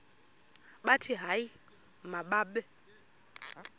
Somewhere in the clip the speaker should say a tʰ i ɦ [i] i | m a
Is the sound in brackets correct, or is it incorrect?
incorrect